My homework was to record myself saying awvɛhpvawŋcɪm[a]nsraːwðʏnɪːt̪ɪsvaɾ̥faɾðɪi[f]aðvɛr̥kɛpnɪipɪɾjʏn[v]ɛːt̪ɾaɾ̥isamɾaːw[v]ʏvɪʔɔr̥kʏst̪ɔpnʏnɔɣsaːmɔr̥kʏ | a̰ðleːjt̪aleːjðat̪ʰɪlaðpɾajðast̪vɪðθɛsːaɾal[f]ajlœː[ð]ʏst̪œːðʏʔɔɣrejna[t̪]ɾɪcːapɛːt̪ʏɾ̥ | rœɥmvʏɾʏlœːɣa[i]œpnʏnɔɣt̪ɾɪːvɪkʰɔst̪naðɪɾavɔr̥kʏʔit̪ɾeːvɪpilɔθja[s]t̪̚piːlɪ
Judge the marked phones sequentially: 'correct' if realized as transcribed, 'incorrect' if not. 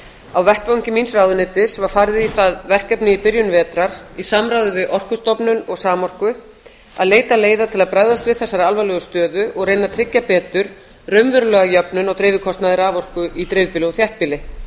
incorrect: i, incorrect: θ, correct, incorrect: ð, incorrect: v, incorrect: ɣ, incorrect: t̪ʰ, incorrect: j, incorrect: h

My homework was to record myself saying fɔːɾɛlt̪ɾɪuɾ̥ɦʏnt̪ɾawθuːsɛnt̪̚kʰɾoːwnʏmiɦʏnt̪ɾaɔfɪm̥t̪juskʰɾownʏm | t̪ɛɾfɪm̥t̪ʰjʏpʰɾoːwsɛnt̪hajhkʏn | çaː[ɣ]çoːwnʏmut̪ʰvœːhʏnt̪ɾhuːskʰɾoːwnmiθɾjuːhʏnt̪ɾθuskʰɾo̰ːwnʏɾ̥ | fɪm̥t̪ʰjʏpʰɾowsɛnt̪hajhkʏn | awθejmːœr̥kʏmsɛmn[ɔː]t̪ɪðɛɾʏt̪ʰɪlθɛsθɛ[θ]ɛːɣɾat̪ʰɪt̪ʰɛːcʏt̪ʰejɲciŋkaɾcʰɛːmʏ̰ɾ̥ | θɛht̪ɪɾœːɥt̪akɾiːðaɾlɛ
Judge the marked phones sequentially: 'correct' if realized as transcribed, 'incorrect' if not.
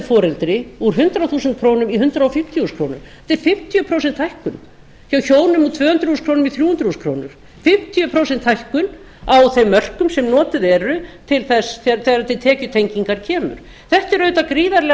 incorrect: w, correct, correct

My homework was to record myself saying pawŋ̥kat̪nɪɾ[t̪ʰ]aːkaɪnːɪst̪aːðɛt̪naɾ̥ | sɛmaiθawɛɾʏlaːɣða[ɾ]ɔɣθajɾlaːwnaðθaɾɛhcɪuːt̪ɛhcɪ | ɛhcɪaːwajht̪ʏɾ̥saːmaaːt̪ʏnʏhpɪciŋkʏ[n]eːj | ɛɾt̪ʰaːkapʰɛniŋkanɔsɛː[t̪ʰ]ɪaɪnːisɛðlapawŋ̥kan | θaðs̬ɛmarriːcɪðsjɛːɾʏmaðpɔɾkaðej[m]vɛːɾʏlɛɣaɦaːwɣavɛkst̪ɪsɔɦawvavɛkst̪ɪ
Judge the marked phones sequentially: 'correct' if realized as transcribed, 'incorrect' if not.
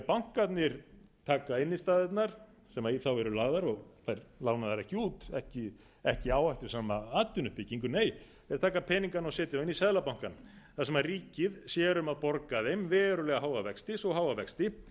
correct, correct, correct, incorrect: t̪, correct

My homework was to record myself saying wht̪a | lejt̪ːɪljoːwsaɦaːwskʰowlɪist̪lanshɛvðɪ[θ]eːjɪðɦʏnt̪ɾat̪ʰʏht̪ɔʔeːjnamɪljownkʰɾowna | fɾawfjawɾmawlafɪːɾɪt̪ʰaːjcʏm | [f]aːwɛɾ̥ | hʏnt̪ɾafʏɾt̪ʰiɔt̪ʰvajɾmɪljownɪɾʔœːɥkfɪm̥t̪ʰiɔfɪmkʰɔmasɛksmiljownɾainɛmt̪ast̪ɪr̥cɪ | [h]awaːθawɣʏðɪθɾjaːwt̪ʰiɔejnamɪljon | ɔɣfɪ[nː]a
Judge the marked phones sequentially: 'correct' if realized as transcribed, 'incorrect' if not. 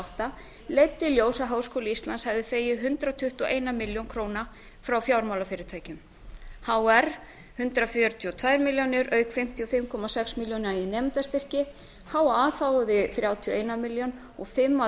correct, incorrect: h, correct, incorrect: mː

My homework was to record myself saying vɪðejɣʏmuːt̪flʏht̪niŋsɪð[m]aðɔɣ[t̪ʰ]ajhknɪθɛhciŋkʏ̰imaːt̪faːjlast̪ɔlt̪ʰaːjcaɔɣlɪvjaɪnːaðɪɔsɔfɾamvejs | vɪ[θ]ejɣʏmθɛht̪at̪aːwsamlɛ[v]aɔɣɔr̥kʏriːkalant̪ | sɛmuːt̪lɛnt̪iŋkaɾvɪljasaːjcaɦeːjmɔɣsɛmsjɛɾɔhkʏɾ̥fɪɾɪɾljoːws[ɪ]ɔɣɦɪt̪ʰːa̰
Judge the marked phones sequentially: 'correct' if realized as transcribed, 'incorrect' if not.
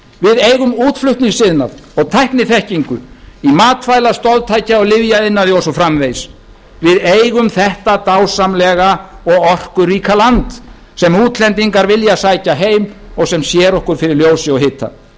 incorrect: n, correct, incorrect: ð, incorrect: ɣ, correct

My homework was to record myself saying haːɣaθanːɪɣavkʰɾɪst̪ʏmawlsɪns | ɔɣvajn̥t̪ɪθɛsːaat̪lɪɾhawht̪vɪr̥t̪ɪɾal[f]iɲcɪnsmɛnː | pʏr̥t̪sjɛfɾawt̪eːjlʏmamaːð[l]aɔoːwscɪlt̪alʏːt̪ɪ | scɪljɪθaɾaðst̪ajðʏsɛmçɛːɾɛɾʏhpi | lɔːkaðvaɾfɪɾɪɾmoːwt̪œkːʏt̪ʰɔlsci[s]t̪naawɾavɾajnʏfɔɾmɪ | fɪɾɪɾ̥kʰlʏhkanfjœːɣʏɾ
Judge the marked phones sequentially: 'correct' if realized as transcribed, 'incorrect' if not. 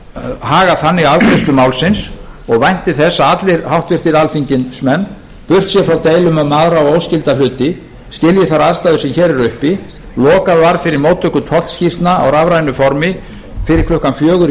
correct, incorrect: ɾ, correct

